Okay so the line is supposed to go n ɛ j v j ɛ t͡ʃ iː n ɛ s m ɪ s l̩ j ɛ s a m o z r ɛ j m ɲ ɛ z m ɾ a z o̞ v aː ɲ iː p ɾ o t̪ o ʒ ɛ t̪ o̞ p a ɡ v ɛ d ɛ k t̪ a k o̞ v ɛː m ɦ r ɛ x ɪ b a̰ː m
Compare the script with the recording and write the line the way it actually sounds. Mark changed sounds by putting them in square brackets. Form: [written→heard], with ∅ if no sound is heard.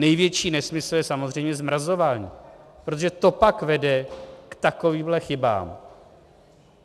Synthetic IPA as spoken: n ɛ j v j ɛ t͡ʃ iː n ɛ s m ɪ s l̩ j ɛ s a m o z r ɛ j m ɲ ɛ z m ɾ a z o̞ v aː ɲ iː p ɾ o t̪ o ʒ ɛ t̪ o̞ p a [ɡ→k] v ɛ d ɛ k t̪ a k o̞ v [ɛː→iː] m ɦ [r→l] ɛ x ɪ b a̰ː m